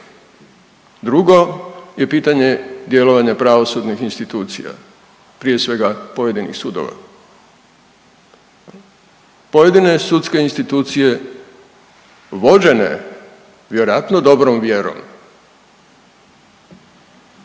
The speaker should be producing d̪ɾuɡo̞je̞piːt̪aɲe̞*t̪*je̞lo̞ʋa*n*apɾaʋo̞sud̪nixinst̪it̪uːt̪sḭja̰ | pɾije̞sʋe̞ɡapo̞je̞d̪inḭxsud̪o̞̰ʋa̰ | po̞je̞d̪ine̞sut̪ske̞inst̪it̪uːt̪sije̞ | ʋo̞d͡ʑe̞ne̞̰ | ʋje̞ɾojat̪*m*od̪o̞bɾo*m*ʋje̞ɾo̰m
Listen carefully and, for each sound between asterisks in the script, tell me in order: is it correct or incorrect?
incorrect: d̪, incorrect: ɲ, incorrect: n, correct

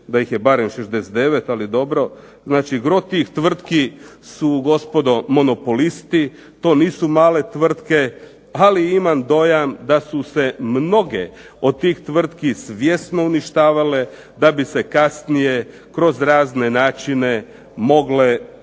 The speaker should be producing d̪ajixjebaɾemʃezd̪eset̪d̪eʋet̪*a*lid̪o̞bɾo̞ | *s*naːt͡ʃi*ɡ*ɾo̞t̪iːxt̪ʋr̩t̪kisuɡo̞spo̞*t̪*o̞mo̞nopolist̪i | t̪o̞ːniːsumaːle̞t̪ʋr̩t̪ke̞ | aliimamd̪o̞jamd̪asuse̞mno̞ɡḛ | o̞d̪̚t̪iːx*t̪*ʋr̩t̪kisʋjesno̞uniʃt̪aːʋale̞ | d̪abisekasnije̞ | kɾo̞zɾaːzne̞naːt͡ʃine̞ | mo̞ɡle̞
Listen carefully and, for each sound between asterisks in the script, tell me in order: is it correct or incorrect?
correct, incorrect: z, correct, incorrect: d̪, correct

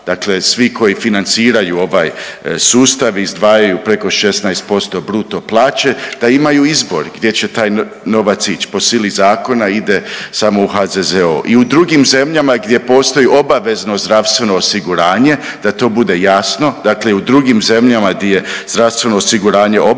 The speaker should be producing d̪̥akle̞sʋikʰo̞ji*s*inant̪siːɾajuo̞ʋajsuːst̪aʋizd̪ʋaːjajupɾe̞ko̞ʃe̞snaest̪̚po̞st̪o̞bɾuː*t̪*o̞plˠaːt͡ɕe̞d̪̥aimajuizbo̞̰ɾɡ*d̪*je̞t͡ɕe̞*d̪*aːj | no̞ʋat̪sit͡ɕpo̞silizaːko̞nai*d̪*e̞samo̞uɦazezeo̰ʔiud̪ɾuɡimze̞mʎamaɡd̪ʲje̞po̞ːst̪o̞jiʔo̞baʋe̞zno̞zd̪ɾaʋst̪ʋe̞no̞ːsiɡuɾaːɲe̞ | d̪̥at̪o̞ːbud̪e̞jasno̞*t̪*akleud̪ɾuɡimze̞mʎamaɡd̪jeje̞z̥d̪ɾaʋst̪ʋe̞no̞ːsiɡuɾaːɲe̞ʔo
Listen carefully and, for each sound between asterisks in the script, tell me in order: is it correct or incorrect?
incorrect: f, correct, correct, incorrect: t̪, correct, incorrect: d̪

